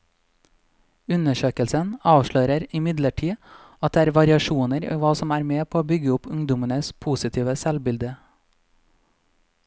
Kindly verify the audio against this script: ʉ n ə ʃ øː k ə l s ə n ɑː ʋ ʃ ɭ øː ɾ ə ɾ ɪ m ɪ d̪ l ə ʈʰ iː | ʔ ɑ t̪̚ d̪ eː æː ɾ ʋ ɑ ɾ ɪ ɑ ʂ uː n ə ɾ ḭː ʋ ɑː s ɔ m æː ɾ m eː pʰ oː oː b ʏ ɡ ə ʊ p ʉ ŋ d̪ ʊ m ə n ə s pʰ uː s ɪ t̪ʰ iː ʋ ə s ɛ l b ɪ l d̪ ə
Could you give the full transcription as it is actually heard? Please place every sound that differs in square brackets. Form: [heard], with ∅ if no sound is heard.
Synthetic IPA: ʉ n ə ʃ øː k ə l s ə n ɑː ʋ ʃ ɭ øː ɾ ə ɾ ɪ m ɪ d̪ l ə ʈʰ iː | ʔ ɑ t̪̚ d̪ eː æː ɾ ʋ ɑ ɾ ɪ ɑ [ʃ] uː n ə ɾ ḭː ʋ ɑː s ɔ m æː ɾ m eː pʰ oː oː b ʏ ɡ ə ʊ p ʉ ŋ d̪ ʊ m ə n ə s pʰ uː s ɪ t̪ʰ iː ʋ ə s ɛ l b ɪ l d̪ ə